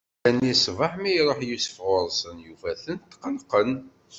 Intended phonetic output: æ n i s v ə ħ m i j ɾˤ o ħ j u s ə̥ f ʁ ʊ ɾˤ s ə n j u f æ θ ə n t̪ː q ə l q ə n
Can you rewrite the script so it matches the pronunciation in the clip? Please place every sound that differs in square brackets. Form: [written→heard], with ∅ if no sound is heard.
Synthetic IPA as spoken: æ n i s v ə ħ m i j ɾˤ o ħ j u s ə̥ f ʁ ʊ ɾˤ s ə n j u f æ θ ə n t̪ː q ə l q ə n

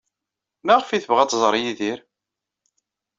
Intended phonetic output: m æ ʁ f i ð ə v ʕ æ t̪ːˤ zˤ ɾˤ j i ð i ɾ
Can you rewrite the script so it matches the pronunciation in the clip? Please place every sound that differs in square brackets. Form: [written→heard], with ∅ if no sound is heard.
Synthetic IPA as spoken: m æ ʁ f i [ð→θ] ə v [ʕ→ʁ] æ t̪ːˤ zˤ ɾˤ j i ð i ɾ

